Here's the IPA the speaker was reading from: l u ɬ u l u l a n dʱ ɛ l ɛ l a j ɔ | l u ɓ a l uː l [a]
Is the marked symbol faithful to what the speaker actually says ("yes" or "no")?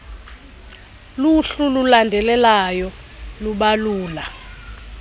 yes